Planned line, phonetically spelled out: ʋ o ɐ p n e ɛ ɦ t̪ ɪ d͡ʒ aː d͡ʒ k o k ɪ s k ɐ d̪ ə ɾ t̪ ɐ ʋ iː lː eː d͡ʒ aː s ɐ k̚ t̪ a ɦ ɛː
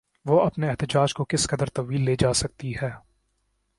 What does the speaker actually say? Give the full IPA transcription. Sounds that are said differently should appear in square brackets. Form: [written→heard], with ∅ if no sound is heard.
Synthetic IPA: ʋ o ɐ p n e ɛ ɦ t̪ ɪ d͡ʒ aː d͡ʒ k o k ɪ s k ɐ d̪ ə ɾ t̪ ɐ ʋ iː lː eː d͡ʒ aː s ɐ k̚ t̪ [a→i] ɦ ɛː

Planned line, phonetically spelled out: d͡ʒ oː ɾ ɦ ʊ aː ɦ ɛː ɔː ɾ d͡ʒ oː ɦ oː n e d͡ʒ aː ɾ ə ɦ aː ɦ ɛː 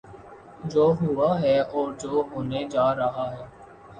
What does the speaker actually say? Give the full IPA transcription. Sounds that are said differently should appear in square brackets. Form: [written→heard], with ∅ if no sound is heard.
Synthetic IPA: d͡ʒ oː [ɾ→∅] ɦ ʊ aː ɦ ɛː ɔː ɾ d͡ʒ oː ɦ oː n e d͡ʒ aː ɾ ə ɦ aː ɦ ɛː

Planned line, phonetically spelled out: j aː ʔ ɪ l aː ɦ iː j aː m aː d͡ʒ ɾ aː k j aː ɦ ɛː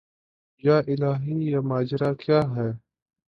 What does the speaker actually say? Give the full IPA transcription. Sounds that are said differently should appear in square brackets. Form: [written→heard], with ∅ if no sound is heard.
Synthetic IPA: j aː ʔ ɪ l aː ɦ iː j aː m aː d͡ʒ ɾ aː k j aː ɦ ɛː

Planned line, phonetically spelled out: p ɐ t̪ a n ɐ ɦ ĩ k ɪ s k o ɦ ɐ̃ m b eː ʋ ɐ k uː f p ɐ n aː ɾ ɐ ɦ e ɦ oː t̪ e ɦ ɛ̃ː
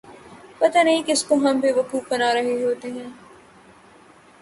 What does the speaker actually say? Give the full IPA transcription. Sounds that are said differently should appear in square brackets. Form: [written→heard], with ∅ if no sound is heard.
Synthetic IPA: p ɐ t̪ a n ɐ ɦ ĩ k ɪ s k o ɦ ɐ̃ m b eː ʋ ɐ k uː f [p→b] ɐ n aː ɾ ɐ ɦ e ɦ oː t̪ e ɦ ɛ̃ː

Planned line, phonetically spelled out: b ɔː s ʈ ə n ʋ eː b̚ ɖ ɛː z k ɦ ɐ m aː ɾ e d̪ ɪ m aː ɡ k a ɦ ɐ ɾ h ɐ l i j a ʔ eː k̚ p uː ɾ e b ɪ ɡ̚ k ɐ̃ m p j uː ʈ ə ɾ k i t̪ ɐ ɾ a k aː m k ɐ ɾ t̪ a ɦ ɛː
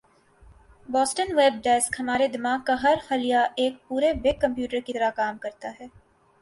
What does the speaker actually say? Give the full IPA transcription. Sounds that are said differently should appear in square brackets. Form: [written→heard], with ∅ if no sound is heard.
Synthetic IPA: b ɔː s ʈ ə n ʋ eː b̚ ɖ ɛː [z→s] k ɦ ɐ m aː ɾ e d̪ ɪ m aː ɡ k a ɦ ɐ ɾ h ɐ l i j a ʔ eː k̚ p uː ɾ e b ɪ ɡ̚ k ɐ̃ m p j uː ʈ ə ɾ k i t̪ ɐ ɾ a k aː m k ɐ ɾ t̪ a ɦ ɛː

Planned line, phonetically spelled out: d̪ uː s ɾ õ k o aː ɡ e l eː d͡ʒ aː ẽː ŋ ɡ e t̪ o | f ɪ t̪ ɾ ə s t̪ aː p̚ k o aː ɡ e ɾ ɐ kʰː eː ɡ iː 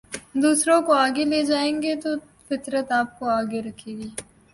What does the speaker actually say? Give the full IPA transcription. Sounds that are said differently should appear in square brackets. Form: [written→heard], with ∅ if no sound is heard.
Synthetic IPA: d̪ uː s ɾ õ k o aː ɡ e l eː d͡ʒ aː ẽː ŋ ɡ e t̪ o | f ɪ t̪ ɾ ə [s→∅] t̪ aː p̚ k o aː ɡ e ɾ ɐ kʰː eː ɡ iː

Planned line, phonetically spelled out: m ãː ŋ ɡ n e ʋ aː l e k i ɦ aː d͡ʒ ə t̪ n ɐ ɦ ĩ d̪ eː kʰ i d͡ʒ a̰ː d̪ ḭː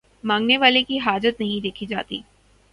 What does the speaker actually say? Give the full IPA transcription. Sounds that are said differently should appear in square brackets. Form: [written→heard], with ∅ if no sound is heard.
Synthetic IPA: m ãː ŋ ɡ n e ʋ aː l e k i ɦ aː d͡ʒ ə t̪ n ɐ ɦ ĩ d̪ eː kʰ i d͡ʒ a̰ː [d̪→t̪] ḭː

